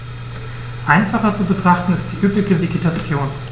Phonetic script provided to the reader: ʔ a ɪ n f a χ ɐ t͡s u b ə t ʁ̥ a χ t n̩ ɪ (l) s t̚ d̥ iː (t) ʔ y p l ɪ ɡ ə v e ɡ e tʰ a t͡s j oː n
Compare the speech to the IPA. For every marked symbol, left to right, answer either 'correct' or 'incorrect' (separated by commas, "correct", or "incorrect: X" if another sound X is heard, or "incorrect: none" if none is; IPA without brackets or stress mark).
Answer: incorrect: none, incorrect: none